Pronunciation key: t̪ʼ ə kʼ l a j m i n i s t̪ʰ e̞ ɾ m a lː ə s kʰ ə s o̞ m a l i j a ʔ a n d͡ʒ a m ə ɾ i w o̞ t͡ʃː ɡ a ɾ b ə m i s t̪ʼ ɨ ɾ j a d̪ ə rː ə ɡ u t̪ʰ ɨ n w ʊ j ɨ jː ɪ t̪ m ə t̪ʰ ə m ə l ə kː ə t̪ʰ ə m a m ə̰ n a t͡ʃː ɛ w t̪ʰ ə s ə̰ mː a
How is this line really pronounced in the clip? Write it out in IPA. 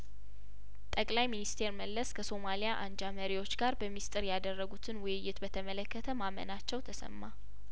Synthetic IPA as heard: t̪ʼ ə kʼ l a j m i n i s t̪ʰ e̞ ɾ m ə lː ə s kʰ ə s o̞ m a l i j a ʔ a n d͡ʒ a m ə ɾ i w o̞ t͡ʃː ɡ a ɾ b ə m i s t̪ʼ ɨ ɾ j a d̪ ə rː ə ɡ u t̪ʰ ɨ n w ʊ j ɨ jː ɪ t̪ b ə t̪ʰ ə m ə l ə kː ə t̪ʰ ə m a m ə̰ n a t͡ʃː ɛ w t̪ʰ ə s ə̰ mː a